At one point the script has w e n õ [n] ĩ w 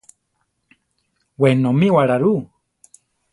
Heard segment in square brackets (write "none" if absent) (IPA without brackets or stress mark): m